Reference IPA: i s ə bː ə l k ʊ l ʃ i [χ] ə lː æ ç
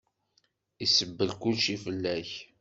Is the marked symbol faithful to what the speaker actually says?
no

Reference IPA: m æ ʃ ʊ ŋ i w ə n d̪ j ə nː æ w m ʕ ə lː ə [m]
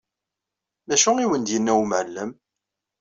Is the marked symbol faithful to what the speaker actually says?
yes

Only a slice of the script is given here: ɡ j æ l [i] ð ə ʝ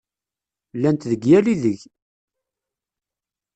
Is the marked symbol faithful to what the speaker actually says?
yes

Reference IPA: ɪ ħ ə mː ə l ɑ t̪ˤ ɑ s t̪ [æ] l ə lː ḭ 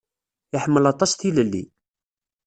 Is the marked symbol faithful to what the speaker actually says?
no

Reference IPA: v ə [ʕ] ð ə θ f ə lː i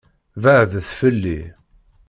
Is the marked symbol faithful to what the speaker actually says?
yes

